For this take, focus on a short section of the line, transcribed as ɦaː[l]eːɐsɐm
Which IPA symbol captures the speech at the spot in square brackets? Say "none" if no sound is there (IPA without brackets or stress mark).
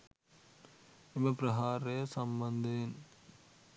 ɾ